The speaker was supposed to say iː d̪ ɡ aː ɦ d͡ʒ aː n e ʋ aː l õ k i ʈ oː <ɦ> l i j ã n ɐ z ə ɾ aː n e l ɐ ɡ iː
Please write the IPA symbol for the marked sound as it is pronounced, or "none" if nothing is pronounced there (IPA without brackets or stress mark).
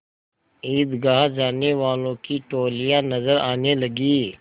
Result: none